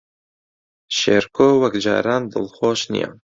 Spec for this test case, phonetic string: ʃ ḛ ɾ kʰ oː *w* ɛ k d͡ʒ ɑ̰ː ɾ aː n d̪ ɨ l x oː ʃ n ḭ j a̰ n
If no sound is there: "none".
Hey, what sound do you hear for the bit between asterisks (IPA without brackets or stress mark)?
w